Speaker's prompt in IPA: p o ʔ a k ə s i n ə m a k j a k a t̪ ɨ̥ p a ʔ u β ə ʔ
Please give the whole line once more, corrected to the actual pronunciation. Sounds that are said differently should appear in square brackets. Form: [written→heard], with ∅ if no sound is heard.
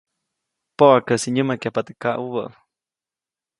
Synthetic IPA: p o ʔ a k ə s i [n→ɲ] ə m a k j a [k→p] a t̪ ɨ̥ [p→k] a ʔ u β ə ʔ